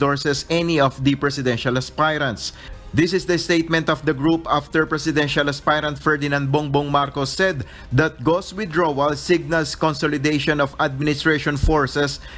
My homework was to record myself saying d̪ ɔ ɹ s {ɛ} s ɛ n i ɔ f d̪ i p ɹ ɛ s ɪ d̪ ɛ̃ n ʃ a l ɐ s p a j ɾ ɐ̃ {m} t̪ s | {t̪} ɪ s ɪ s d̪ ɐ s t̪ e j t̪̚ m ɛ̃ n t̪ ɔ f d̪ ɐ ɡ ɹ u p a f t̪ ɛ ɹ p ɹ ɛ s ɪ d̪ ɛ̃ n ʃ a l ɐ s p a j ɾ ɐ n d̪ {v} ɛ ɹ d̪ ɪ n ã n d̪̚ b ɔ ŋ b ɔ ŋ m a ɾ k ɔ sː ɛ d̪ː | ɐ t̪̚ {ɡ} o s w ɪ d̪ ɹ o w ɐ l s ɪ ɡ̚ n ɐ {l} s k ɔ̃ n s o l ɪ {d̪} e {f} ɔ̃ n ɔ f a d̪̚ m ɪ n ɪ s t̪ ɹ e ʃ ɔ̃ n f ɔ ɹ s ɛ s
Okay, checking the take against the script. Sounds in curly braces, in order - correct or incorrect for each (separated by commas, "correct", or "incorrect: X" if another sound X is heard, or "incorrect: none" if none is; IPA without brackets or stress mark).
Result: correct, incorrect: n, incorrect: d̪, incorrect: f, correct, correct, correct, incorrect: ʃ